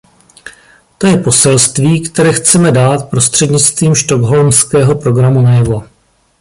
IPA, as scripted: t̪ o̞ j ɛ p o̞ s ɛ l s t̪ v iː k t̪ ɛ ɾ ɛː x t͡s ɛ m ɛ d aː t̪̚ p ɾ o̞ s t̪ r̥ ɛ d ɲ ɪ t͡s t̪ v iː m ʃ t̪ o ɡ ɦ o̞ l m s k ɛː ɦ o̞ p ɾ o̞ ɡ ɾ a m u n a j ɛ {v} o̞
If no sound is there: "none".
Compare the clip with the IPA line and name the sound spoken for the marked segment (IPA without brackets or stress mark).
v